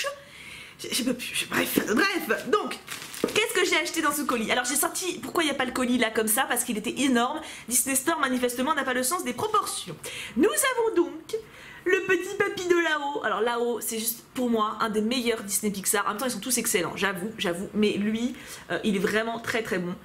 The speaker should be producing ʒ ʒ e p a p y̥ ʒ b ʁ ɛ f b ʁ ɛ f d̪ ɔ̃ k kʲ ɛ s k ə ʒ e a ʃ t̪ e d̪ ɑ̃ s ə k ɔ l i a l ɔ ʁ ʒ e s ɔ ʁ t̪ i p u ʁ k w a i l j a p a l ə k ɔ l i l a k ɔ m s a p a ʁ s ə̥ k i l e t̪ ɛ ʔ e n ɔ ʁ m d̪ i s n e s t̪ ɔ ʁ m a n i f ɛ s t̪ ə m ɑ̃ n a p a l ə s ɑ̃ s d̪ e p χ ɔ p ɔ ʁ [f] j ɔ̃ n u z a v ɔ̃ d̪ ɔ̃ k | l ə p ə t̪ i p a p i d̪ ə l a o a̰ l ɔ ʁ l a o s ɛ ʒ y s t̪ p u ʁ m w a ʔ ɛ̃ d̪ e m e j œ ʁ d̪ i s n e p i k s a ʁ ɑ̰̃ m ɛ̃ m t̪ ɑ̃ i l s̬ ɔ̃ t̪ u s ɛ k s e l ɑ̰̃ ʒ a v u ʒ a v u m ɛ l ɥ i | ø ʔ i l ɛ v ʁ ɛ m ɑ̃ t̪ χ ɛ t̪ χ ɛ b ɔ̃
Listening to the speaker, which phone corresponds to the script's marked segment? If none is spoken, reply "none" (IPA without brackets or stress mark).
s